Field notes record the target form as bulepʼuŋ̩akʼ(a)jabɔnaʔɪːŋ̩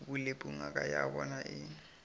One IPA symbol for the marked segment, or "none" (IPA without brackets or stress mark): a